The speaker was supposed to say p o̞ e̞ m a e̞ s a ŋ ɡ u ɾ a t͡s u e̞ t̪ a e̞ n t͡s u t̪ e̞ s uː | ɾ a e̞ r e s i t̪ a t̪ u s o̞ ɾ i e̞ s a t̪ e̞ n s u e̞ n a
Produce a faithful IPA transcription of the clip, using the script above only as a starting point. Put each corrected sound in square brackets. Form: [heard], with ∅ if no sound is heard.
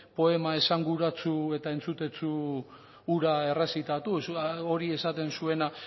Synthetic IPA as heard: p o̞ e̞ m a e̞ s a ŋ ɡ u ɾ a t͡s u e̞ t̪ a e̞ n t͡s u t̪ e̞ [t͡s] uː | ɾ a e̞ r e s i t̪ a t̪ u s o̞ ɾ i e̞ s a t̪ e̞ n s u e̞ n a

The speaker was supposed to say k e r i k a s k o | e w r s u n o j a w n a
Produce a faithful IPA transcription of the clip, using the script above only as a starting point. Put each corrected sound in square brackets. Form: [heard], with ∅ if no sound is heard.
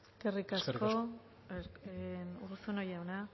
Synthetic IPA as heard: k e r i k a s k o | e [u] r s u n o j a w n a

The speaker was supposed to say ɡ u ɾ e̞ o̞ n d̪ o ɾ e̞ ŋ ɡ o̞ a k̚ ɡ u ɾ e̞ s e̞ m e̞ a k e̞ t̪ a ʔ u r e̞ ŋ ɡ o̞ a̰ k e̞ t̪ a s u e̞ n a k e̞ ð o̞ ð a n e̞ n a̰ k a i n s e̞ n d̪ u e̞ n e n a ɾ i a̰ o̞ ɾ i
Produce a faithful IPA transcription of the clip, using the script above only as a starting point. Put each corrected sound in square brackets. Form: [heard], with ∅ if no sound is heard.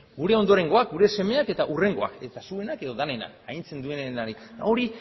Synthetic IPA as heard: ɡ u ɾ e̞ o̞ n d̪ o ɾ e̞ ŋ ɡ o̞ a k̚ ɡ u ɾ e̞ s e̞ m e̞ a k e̞ t̪ a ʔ u r e̞ ŋ ɡ o̞ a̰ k e̞ t̪ a s u e̞ n a k e̞ ð o̞ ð a n e̞ n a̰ k a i n [t͡s] e̞ n d̪ u e̞ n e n a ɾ i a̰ o̞ ɾ i

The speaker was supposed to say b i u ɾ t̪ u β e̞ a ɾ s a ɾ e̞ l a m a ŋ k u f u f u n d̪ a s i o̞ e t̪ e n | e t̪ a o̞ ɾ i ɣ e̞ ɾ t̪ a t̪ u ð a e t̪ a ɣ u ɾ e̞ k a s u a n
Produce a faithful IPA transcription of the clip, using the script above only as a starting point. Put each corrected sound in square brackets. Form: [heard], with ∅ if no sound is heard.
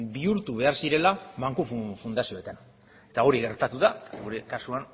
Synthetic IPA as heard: b i u ɾ t̪ u β e̞ a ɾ s [i] ɾ e̞ l a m a ŋ k u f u f u n d̪ a s i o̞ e t̪ [a] n | e t̪ a o̞ ɾ i ɣ e̞ ɾ t̪ a t̪ u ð a e t̪ a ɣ u ɾ e̞ k a s u a n

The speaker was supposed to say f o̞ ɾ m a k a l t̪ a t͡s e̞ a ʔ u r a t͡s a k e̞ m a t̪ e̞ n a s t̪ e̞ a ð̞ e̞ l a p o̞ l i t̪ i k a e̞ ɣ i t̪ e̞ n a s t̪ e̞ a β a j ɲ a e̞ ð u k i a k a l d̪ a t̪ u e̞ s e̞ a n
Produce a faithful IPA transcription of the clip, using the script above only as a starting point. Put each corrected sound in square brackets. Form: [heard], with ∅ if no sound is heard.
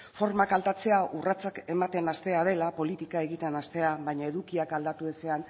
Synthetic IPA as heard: f o̞ ɾ m a k a l t̪ a t͡s e̞ a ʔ u r a t͡s a k e̞ m a t̪ e̞ n a s t̪ e̞ a ð̞ e̞ l a p o̞ l i t̪ i k a e̞ ɣ i t̪ e̞ n a s t̪ e̞ a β a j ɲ a e̞ ð u k i a k a l d̪ a t̪ u e̞ s e̞ a n

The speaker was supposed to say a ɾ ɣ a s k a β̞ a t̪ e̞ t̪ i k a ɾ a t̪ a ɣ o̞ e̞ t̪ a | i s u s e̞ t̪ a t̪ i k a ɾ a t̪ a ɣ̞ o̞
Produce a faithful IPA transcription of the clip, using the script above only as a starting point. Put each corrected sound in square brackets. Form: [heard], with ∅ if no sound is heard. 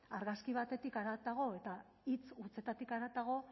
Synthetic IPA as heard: a ɾ ɣ a s k [i] β̞ a t̪ e̞ t̪ i k a ɾ a t̪ a ɣ o̞ e̞ t̪ a | i [t͡s] u [t͡s] e̞ t̪ a t̪ i k a ɾ a t̪ a ɣ̞ o̞

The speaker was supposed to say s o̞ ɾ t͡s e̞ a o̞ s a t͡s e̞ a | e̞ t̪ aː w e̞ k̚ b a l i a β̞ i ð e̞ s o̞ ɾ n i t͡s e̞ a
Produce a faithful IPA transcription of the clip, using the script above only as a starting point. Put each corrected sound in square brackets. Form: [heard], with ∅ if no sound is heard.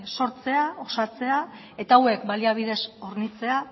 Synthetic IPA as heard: s o̞ ɾ t͡s e̞ a o̞ s a t͡s e̞ a | e̞ t̪ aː w e̞ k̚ b a l i a β̞ i ð e̞ s o̞ ɾ n i t͡s e̞ a

